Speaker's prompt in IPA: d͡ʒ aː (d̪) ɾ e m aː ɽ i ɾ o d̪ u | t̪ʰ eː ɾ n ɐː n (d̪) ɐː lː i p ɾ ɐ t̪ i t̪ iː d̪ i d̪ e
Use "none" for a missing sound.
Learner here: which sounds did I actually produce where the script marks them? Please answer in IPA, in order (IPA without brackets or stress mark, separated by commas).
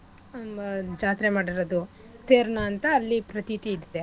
t̪, t̪